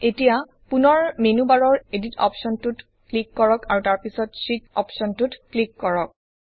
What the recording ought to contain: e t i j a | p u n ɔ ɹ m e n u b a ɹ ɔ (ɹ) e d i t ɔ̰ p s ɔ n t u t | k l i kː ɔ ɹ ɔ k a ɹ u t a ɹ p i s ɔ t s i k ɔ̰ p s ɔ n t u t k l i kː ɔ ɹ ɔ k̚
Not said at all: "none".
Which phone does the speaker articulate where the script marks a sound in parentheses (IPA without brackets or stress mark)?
ɹ